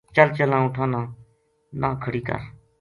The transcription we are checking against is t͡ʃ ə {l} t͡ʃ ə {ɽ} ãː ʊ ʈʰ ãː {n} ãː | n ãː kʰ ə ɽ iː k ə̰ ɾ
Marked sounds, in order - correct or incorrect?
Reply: correct, incorrect: l, correct

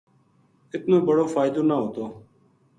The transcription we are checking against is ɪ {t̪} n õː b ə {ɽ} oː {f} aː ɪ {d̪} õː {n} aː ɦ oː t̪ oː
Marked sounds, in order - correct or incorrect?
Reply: correct, correct, correct, correct, correct

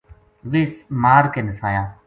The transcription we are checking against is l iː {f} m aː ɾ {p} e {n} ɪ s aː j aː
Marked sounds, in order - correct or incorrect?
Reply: incorrect: s, incorrect: k, correct

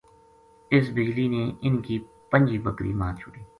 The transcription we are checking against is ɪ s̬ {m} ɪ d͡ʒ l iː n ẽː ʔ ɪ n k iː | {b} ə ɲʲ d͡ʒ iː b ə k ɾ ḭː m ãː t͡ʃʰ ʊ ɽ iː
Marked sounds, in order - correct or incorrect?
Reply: incorrect: b, incorrect: p

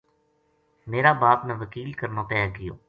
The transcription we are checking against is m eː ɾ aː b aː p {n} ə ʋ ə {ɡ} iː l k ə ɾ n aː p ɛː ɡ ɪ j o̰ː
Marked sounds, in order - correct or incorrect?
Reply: correct, incorrect: k

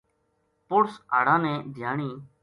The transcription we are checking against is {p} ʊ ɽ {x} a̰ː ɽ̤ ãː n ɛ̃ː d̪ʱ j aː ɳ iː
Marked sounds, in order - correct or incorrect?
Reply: correct, incorrect: s

